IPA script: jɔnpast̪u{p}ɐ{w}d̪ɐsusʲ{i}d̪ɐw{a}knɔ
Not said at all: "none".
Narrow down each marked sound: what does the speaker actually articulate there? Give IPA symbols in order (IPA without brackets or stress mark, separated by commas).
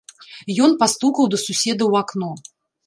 k, w, ɛ, a